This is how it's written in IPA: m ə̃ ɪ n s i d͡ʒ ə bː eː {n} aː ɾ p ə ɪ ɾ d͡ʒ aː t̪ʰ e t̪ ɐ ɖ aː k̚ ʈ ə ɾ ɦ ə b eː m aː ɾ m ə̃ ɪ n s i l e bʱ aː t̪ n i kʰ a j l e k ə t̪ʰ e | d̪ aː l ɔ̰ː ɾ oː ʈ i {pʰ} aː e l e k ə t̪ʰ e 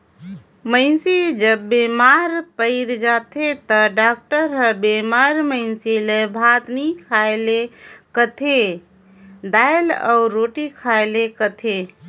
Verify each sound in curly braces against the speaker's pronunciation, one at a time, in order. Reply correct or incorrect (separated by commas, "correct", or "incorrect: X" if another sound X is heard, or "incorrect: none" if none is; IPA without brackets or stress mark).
incorrect: m, incorrect: kʰ